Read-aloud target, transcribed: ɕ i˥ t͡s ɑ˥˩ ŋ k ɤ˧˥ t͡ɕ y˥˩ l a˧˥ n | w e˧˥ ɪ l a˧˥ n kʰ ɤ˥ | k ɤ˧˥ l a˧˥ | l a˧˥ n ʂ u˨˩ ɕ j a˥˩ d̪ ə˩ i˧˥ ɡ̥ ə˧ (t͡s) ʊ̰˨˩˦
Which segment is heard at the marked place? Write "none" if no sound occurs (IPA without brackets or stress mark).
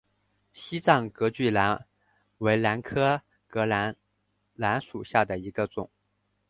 t͡s